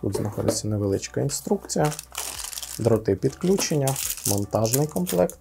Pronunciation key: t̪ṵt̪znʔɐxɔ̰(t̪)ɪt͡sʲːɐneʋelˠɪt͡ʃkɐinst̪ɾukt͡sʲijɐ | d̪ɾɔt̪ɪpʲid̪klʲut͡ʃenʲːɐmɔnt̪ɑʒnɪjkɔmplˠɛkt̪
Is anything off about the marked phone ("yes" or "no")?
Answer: yes